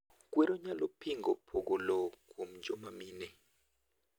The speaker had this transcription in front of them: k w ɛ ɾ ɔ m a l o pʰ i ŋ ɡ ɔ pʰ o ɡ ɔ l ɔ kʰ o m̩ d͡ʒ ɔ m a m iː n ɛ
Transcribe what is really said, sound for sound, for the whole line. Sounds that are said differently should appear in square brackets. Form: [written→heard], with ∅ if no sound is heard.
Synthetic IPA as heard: k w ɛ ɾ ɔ [m→ɲ] a l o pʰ i ŋ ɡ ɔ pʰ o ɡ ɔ l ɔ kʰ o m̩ d͡ʒ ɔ m a m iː n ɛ